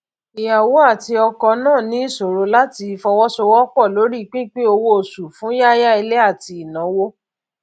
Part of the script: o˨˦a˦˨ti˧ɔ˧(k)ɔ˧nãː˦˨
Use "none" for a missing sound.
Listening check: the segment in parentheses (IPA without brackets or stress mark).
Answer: k